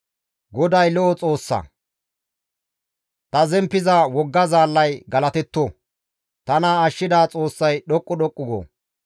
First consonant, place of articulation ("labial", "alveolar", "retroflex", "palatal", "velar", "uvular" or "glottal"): velar